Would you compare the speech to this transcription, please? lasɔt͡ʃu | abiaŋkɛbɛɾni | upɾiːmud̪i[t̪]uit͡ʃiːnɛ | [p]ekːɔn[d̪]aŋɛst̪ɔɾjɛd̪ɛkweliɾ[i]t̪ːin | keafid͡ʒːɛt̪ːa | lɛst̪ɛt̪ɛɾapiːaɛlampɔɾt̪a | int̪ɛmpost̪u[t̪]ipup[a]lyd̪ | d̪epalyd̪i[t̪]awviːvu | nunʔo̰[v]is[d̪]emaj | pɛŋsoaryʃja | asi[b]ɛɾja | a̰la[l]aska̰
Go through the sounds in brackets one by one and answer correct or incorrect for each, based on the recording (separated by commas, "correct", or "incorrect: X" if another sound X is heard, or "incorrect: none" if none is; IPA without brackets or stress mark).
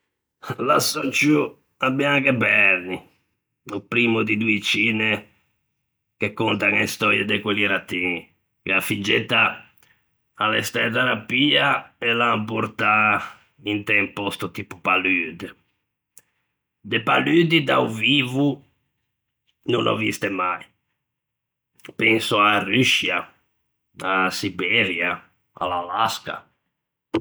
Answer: incorrect: d̪, incorrect: k, incorrect: t̪, incorrect: a, correct, correct, incorrect: d̪, correct, incorrect: t̪, correct, correct